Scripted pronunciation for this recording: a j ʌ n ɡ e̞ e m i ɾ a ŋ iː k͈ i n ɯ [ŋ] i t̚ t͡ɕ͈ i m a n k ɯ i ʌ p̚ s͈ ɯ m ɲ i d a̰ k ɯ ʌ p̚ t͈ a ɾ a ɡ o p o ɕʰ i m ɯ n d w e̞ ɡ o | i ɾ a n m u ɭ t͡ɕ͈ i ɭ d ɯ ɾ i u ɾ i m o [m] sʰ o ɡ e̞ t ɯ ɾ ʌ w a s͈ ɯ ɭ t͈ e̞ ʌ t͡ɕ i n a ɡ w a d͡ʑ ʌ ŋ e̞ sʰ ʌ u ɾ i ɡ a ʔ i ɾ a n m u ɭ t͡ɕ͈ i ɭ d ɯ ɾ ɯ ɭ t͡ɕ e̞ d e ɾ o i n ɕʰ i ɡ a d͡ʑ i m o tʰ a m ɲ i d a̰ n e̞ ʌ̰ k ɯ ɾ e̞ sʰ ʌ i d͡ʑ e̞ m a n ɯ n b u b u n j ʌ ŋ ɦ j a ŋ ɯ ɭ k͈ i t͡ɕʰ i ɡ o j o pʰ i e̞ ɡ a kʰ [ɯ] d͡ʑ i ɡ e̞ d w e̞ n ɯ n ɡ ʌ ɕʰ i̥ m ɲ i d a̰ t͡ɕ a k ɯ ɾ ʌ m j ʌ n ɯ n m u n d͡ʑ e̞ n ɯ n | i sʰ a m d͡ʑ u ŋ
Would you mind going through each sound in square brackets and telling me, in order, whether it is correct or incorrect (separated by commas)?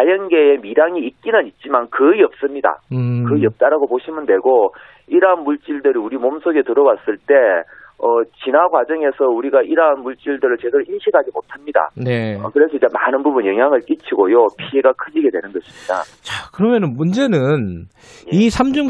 incorrect, correct, correct